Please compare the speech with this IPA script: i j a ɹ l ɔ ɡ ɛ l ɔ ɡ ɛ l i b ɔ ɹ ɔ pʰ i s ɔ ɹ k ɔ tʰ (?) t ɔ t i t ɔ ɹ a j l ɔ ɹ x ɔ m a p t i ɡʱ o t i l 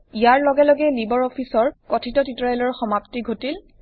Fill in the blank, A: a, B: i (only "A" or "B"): B